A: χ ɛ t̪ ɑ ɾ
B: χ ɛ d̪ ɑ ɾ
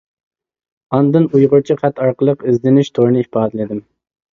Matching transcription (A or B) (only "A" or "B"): A